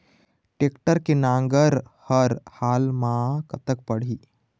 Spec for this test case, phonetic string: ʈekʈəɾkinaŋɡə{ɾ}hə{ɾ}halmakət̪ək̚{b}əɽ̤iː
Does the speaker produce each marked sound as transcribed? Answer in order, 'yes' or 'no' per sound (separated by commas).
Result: yes, yes, no